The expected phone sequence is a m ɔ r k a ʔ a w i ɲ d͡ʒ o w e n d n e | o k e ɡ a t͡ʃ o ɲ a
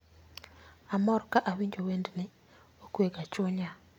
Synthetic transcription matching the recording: a m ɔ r k a ʔ a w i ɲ d͡ʒ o w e n d n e | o k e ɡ a t͡ʃ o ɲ a